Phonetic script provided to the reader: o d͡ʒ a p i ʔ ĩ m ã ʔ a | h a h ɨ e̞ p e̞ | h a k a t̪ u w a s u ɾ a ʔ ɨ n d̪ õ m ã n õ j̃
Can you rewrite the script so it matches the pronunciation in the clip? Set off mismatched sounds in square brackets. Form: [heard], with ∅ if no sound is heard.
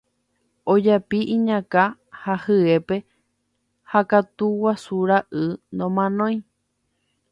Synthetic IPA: o d͡ʒ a p i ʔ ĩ [ɲ] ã [k] a | h a h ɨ e̞ p e̞ | h a k a t̪ u w a s u ɾ a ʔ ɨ n d̪ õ m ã n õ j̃